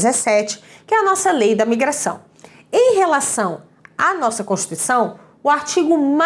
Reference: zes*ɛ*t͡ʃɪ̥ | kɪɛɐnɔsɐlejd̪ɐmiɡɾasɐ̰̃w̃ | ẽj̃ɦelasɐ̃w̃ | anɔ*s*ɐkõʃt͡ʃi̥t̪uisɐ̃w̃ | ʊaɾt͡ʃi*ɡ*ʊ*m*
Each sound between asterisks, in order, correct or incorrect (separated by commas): correct, correct, correct, correct